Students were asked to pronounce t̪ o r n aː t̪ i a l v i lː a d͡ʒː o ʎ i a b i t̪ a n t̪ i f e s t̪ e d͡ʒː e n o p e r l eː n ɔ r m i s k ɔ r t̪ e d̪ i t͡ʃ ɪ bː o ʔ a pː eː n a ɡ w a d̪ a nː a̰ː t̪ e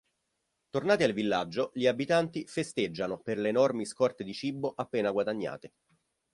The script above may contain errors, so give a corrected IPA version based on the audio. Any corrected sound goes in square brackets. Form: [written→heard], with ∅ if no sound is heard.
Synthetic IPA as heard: t̪ o r n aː t̪ i a l v i lː a d͡ʒː o ʎ i a b i t̪ a n t̪ i f e s t̪ e d͡ʒː [e→a] n o p e r l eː n ɔ r m i s k ɔ r t̪ e d̪ i t͡ʃ [ɪ→i] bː o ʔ a pː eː n a ɡ w a d̪ a [nː→ɲː] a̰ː t̪ e